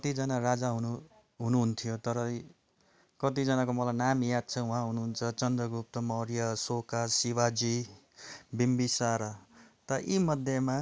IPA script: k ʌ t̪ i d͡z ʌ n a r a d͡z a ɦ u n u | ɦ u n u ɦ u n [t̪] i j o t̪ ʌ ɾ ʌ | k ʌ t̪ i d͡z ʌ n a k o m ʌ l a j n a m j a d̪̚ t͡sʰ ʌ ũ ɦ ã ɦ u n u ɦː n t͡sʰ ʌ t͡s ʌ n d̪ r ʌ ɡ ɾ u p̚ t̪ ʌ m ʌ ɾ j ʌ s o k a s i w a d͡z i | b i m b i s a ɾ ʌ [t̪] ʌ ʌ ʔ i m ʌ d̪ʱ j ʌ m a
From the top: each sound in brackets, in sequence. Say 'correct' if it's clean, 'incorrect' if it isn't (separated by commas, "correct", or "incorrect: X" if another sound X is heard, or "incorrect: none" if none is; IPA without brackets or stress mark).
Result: incorrect: t̪ʰ, correct